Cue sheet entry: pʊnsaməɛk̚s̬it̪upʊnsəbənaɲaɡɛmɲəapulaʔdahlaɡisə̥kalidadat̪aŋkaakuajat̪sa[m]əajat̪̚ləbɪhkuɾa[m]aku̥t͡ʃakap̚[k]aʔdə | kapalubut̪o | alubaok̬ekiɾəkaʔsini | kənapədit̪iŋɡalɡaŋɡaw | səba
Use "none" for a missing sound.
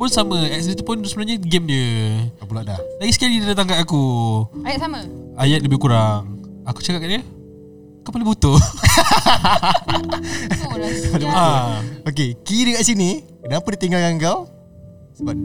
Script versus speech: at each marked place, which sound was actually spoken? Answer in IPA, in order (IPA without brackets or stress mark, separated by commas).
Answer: m, ŋ, k